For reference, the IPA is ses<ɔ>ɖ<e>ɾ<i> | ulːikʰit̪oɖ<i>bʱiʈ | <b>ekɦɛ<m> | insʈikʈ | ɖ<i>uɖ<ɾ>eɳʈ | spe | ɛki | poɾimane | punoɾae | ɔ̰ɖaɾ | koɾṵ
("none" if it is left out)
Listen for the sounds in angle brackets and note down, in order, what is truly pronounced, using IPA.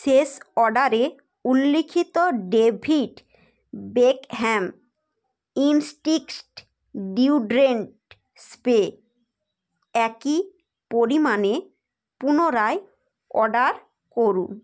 ɔ, a, e, e, b, m, i, ɾ

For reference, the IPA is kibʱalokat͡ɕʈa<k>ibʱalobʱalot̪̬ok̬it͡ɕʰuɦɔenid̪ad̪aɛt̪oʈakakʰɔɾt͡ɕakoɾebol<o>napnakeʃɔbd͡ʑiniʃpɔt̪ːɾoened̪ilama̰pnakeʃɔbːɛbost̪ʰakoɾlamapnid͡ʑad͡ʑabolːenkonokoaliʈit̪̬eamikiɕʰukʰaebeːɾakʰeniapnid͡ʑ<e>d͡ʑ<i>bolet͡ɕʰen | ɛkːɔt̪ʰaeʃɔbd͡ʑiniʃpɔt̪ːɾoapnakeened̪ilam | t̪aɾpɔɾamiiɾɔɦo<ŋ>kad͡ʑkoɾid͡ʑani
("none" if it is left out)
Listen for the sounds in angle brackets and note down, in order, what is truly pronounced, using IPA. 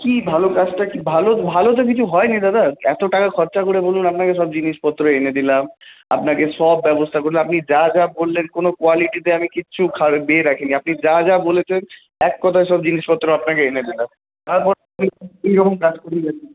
k, u, a, a, m

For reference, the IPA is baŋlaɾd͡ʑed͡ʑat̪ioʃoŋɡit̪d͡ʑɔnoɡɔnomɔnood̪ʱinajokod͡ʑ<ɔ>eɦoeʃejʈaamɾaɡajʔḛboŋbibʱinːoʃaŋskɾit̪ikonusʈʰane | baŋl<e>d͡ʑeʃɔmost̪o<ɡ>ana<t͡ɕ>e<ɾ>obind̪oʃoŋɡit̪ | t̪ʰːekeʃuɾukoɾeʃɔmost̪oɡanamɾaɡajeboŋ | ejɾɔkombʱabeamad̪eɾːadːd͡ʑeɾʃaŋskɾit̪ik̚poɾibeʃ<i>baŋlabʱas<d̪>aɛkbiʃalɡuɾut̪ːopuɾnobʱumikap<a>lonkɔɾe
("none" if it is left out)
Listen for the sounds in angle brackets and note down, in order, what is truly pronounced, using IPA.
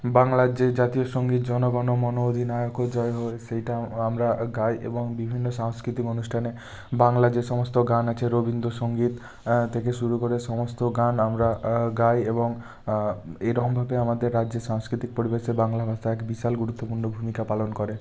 ɔ, a, ɡ, t͡ɕʰ, ɾ, e, t̪, a

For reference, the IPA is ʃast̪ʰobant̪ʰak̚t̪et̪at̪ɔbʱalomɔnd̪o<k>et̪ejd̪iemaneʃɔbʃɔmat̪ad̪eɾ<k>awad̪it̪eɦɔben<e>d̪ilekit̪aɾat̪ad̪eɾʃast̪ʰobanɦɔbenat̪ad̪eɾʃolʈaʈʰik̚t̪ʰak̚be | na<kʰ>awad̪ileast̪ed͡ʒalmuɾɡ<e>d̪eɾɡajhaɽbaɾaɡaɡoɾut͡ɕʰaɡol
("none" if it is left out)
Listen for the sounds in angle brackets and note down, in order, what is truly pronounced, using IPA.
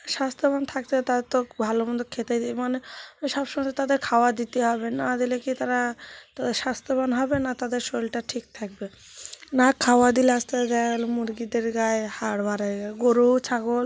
kʰ, kʰ, a, kʰ, i

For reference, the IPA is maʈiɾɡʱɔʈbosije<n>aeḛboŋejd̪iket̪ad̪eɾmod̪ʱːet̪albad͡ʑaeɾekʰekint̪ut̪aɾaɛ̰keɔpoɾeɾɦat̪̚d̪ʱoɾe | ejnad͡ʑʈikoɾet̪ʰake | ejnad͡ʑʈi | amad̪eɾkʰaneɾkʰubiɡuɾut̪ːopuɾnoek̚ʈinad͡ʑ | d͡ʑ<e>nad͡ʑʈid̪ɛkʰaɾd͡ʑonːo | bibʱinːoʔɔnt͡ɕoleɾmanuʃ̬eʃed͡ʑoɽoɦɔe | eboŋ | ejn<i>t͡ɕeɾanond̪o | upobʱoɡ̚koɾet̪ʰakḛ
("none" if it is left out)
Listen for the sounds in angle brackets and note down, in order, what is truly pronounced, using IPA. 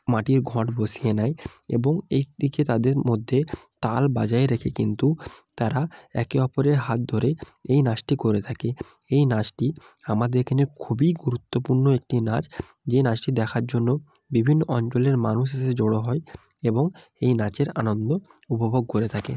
n, e, a

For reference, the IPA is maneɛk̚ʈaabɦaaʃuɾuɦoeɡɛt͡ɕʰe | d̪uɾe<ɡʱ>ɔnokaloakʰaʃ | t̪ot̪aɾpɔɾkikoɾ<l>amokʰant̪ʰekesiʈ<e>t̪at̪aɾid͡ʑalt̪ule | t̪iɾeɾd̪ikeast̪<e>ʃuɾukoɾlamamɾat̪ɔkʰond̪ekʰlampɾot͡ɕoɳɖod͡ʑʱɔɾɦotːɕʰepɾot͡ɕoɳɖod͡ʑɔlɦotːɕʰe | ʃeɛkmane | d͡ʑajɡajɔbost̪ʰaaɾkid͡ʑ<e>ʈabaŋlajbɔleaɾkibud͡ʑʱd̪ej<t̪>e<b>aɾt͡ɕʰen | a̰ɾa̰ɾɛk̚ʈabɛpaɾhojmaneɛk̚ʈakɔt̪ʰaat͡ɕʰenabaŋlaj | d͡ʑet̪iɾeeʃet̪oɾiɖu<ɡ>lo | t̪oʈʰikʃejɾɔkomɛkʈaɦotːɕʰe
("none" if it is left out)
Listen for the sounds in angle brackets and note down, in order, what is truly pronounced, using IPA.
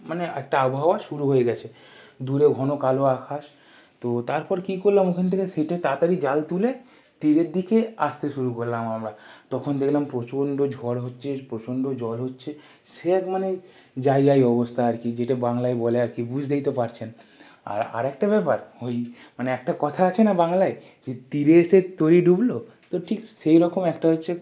ɡʱ, l, e, e, e, t̪, p, b

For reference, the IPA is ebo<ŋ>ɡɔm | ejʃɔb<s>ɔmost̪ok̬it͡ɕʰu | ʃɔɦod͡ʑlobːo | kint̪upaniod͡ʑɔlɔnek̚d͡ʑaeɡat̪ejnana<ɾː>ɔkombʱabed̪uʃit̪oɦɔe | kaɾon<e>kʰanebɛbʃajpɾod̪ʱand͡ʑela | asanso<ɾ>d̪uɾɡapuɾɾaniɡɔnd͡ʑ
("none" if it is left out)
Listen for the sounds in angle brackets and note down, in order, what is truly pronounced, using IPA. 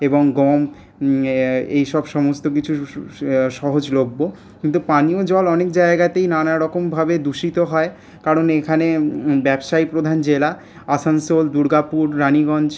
ŋ, ʃ, ɾ, e, l

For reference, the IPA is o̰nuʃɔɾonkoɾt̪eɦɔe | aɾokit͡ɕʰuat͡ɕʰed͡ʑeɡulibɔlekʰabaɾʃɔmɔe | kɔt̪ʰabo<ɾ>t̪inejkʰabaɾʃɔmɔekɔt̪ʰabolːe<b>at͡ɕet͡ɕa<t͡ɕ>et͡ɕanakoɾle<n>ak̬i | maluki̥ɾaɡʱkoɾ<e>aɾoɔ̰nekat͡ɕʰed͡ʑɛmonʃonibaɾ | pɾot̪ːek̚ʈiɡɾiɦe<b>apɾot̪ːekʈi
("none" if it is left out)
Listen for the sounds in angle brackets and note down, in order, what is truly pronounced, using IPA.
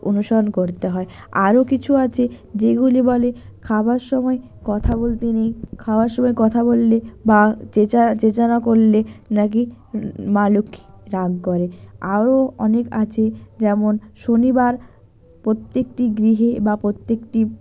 l, b, t͡ɕ, n, e, b

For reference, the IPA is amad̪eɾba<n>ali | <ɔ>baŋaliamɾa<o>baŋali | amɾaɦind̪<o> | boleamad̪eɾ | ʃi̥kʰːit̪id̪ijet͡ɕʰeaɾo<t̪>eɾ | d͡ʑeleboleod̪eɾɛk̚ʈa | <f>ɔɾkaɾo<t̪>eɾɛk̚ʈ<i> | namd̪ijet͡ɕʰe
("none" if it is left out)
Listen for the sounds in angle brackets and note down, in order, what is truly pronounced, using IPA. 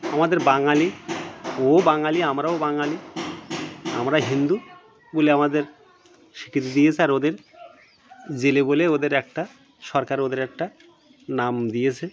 ŋ, o, o, u, d̪, ʃ, d̪, a

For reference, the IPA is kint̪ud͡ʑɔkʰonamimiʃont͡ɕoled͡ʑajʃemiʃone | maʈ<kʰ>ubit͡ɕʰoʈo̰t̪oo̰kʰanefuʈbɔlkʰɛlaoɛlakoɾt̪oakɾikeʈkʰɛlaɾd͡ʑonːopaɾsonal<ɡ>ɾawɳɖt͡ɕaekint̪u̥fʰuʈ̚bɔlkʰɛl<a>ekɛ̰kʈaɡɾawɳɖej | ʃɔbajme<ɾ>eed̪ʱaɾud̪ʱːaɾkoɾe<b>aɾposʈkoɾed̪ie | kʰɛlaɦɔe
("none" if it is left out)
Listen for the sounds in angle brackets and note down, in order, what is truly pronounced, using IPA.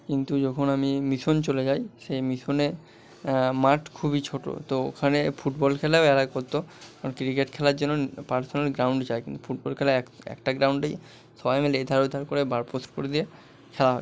kʰ, ɡ, a, l, b

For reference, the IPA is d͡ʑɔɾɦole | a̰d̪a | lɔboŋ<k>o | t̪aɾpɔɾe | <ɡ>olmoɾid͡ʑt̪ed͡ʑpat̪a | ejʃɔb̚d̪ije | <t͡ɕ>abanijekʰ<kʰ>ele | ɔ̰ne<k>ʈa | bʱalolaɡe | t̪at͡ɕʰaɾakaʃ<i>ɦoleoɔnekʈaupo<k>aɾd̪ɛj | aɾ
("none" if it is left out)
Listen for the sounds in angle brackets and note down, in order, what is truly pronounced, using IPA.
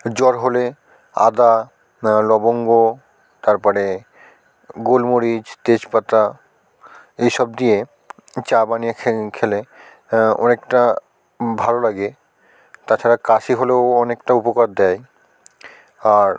ɡ, ɡ, t͡ɕ, kʰ, k, i, k

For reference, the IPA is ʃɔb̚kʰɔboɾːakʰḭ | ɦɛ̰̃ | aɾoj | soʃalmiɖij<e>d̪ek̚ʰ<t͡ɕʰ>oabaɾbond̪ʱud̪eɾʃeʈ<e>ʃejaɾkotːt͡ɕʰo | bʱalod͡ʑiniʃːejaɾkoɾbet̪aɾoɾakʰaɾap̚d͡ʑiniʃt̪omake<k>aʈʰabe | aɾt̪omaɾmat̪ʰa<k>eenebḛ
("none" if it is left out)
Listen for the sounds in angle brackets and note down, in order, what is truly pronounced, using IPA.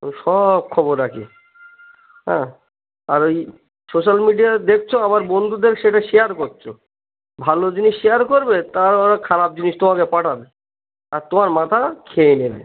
a, t͡ɕʰ, a, p, kʰ

